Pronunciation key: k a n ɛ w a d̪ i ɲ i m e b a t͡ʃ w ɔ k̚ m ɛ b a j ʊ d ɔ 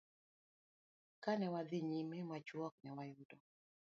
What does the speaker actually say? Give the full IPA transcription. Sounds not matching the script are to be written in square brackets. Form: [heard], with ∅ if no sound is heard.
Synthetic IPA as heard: k a n ɛ w a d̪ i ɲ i m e [m] a t͡ʃ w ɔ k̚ [n] ɛ [w] a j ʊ d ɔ